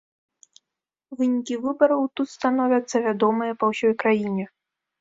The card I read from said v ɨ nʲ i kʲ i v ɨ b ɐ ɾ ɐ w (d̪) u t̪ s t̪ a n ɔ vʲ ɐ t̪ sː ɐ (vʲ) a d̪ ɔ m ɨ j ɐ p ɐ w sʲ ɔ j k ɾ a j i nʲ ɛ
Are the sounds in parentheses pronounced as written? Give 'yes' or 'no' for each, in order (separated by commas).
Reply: no, yes